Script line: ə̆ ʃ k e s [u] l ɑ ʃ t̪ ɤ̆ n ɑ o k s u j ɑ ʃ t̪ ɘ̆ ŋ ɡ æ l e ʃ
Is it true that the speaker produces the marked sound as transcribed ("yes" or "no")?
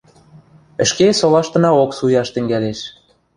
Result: no